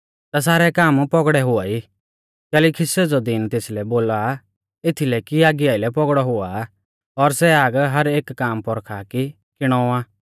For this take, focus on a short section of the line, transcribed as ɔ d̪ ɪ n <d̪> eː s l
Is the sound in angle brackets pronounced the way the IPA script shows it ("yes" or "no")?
no